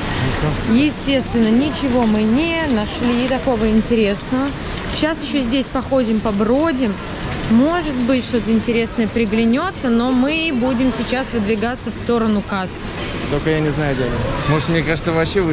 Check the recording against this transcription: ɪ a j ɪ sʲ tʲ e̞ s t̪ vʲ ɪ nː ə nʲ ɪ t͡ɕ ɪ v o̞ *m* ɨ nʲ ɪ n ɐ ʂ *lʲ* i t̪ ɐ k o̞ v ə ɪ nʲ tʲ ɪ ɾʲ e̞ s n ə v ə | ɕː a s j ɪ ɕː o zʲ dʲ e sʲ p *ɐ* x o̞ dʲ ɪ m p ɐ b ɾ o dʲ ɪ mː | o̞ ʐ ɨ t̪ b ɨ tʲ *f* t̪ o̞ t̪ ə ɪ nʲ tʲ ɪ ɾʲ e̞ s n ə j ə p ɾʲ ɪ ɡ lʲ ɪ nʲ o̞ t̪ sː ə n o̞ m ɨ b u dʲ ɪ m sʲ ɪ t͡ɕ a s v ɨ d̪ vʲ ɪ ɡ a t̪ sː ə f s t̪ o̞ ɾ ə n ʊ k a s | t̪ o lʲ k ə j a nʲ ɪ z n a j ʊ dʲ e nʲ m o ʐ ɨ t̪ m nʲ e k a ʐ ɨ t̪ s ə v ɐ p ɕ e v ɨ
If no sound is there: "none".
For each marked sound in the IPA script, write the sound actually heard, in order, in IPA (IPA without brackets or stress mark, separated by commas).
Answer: m, lʲ, ɐ, ʂ